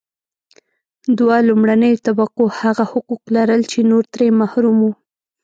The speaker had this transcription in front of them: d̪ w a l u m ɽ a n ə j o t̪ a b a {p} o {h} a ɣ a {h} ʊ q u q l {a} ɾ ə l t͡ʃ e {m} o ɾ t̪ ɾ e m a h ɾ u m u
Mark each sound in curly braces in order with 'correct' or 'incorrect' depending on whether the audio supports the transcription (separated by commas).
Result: incorrect, correct, correct, correct, incorrect